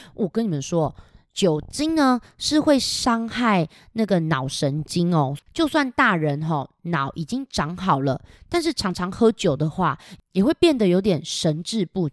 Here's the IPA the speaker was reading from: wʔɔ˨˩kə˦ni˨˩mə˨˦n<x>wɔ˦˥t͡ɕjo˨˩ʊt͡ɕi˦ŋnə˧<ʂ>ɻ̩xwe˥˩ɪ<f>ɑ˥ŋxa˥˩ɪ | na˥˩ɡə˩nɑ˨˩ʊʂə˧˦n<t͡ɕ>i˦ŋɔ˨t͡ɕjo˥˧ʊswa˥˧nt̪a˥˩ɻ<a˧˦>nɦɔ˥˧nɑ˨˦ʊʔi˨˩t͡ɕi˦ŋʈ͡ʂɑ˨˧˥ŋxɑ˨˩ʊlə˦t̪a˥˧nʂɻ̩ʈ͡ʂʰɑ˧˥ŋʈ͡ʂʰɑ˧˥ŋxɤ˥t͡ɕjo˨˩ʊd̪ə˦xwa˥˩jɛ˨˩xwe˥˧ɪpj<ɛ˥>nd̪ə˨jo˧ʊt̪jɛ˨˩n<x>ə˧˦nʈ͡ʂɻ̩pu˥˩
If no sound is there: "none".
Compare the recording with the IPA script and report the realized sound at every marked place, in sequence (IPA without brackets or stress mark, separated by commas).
ʂ, ʂ, ʂ, t͡ɕ, ə˧˦, ɛ˥˩, ʂ